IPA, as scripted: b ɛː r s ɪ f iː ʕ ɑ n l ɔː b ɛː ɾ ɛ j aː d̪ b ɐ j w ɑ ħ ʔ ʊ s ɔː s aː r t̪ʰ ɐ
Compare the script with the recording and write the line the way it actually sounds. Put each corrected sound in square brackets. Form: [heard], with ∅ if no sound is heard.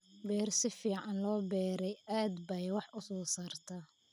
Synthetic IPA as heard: b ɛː r s ɪ f iː ʕ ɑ n l ɔː b ɛː ɾ ɛ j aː d̪ b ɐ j w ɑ ħ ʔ ʊ s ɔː s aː r t̪ʰ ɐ